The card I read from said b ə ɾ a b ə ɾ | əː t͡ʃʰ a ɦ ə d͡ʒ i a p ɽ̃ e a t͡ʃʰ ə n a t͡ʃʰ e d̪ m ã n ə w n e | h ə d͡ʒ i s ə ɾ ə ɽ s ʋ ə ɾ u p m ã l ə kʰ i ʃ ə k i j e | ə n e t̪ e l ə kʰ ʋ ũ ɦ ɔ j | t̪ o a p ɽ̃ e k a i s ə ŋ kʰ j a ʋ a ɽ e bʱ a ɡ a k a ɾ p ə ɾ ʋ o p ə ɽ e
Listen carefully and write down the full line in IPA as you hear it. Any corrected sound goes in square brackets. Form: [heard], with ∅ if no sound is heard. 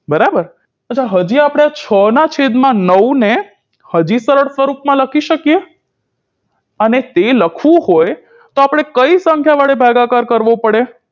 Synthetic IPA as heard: b ə ɾ a b ə ɾ | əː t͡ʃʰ a ɦ ə d͡ʒ i a p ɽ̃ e a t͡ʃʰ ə n a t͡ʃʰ e d̪ m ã n ə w n e | h ə d͡ʒ i s ə ɾ ə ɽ s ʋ ə ɾ u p m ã l ə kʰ i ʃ ə k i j e | ə n e t̪ e l ə kʰ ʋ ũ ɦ [o] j | t̪ o a p ɽ̃ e k [ə] i s ə ŋ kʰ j a ʋ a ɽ e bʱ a ɡ a k a ɾ [k] ə ɾ ʋ o p ə ɽ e

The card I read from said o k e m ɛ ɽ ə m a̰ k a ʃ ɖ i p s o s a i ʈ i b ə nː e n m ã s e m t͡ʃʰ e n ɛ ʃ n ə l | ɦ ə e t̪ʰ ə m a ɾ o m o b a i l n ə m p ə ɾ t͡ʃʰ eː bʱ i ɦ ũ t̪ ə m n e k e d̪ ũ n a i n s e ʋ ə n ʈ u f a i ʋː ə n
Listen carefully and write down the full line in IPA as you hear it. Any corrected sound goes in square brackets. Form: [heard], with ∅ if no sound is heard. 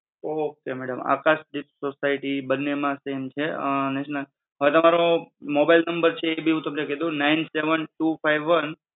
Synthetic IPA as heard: o k e m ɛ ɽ ə m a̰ k a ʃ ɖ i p s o s a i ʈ i b ə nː e [∅] m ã s e m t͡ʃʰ e n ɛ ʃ n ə l | ɦ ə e [t̪] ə m a ɾ o m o b a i l n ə m [b] ə ɾ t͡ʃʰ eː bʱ i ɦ ũ t̪ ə m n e k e d̪ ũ n a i n s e ʋ ə n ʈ u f a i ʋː ə n

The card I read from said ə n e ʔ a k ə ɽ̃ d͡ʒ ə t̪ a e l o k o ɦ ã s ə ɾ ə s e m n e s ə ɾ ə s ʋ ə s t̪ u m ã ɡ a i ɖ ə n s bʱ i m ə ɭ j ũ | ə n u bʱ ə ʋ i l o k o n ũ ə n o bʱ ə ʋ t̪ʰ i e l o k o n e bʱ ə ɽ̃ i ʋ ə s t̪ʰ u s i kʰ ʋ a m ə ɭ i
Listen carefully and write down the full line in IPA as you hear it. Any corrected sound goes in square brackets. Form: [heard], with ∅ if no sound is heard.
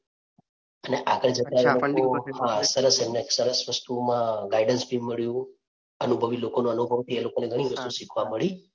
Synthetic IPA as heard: ə n e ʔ a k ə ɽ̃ d͡ʒ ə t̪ a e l o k o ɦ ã s ə ɾ ə s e m n e s ə ɾ ə s ʋ ə s t̪ u m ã ɡ a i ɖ ə n s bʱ i m ə ɭ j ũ | ə n u bʱ ə ʋ i l o k o n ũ ə n [u] bʱ ə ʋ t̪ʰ i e l o k o n e [ɡʱ] ə ɽ̃ i ʋ ə s [t̪] u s i kʰ ʋ a m ə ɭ i

